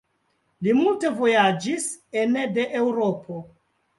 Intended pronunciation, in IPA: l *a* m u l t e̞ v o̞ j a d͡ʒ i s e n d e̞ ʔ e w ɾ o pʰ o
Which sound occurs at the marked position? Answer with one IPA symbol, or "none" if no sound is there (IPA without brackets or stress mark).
i